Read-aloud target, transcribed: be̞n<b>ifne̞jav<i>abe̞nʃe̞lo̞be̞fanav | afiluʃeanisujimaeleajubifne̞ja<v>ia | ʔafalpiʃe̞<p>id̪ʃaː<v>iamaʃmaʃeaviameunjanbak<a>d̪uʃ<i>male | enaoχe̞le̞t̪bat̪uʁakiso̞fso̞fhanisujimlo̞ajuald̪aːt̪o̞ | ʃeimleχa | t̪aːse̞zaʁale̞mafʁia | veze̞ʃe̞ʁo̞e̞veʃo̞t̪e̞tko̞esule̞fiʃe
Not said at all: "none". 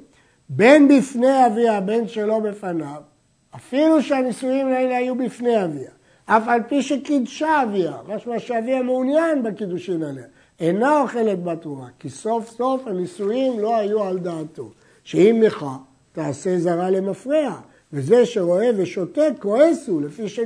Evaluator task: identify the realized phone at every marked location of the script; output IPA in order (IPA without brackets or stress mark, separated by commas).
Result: b, i, v, k, v, i, i